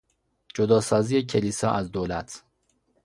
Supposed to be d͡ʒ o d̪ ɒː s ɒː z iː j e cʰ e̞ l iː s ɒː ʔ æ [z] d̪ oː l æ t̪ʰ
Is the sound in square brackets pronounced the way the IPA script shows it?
yes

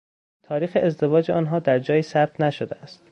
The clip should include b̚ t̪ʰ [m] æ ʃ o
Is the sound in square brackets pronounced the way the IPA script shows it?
no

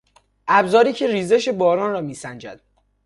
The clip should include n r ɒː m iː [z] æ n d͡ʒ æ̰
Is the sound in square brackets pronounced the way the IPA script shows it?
no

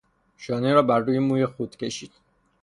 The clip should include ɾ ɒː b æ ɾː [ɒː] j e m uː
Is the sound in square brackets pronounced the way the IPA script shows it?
no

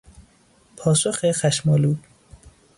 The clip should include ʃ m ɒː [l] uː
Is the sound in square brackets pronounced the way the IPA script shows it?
yes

